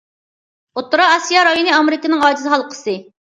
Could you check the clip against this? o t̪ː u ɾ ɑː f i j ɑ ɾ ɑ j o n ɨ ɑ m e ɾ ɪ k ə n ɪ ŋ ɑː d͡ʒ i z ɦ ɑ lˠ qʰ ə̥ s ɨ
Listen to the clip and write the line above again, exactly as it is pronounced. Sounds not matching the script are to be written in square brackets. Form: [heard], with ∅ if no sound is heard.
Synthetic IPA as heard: o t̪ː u ɾ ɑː [s] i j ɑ ɾ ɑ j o n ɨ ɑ m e ɾ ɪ k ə n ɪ ŋ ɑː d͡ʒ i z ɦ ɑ lˠ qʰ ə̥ s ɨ

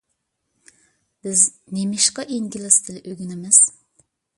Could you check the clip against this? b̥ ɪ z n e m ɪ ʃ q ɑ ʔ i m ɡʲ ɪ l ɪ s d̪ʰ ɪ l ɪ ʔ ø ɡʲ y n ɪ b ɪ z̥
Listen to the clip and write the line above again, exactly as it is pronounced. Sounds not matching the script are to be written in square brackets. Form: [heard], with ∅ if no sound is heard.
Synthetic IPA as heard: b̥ ɪ z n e m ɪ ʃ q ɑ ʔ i [ŋ] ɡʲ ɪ l ɪ s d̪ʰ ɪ l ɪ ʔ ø ɡʲ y n ɪ [m] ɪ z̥

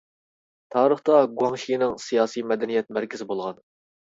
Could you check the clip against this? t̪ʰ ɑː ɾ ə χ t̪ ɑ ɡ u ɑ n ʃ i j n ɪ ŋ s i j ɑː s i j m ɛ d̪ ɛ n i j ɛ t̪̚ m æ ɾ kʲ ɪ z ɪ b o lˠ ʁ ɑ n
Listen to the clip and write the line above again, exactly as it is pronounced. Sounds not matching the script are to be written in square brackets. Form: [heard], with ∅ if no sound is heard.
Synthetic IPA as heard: t̪ʰ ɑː ɾ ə χ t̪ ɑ ɡ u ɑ [ŋ] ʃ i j n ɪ ŋ s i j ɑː s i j m ɛ d̪ ɛ n i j ɛ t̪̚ m æ ɾ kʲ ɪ z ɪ b o lˠ ʁ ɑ n

